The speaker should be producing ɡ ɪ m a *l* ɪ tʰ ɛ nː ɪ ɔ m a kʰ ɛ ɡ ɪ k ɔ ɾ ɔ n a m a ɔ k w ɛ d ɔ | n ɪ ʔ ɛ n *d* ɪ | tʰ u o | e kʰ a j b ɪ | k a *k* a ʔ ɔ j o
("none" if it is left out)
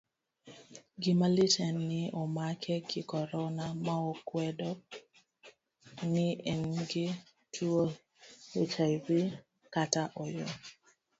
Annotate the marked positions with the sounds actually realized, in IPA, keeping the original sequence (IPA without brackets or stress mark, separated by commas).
l, ɡ, t